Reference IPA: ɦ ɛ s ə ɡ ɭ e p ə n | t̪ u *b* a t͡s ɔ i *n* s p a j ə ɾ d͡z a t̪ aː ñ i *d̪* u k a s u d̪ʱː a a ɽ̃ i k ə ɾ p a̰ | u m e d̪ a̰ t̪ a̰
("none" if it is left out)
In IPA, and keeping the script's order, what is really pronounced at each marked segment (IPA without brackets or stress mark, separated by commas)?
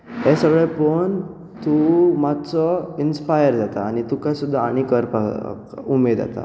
m, n, t̪